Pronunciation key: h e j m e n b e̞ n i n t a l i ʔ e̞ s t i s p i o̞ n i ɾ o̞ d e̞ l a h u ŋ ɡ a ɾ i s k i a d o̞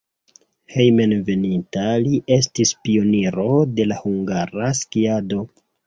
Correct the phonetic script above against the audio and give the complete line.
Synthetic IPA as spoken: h e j m e n v e̞ n i n t a l i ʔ e̞ s t i s p i o̞ n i ɾ o̞ d e̞ l a h u ŋ ɡ a ɾ a s k i a d o̞